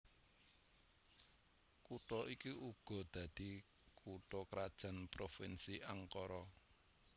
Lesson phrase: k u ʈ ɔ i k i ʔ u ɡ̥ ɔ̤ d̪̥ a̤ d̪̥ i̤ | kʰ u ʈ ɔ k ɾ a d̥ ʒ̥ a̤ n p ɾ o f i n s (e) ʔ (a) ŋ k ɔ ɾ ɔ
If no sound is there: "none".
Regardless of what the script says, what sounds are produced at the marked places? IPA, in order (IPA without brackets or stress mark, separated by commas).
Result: i, a